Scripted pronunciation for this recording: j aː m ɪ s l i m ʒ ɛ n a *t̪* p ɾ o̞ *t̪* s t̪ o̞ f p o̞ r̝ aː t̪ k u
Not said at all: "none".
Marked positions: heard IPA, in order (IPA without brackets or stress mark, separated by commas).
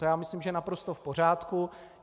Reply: none, none